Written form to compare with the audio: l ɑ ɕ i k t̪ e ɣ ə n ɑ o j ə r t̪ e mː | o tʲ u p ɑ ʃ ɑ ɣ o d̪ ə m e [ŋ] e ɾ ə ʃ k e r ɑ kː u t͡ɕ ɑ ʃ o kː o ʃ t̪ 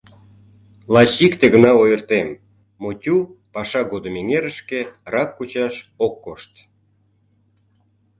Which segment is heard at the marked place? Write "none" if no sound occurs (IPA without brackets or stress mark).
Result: ŋ